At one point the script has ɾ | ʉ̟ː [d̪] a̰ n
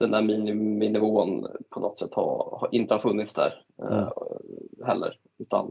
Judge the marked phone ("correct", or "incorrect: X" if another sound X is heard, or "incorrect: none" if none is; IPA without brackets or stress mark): incorrect: t̪